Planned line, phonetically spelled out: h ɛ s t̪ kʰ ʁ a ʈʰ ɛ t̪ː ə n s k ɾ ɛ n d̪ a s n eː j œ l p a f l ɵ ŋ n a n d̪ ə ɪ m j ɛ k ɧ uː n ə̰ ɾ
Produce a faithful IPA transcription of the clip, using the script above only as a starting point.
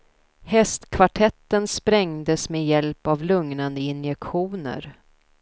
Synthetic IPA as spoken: h ɛ s t̪ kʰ v a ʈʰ ɛ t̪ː ə n s p ɾ ɛ ŋ d̪ ə s m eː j ɛ l p a v l ɵ ŋ n a n d̪ ə ɪ n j ɛ k ɧ uː n ə̰ ɾ